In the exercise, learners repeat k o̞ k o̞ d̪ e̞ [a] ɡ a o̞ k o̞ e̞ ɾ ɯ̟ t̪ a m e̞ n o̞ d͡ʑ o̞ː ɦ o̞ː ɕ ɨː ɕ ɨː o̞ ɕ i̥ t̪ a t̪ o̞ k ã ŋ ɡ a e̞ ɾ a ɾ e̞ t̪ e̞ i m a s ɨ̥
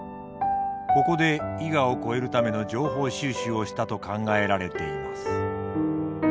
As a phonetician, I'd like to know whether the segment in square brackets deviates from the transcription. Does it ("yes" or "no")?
yes